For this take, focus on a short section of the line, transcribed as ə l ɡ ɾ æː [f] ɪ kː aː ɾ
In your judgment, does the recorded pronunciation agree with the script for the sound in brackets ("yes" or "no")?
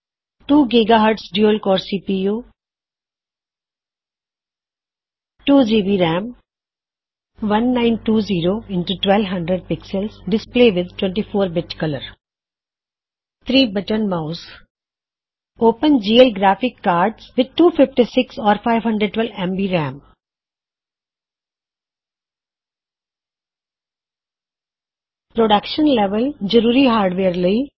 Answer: yes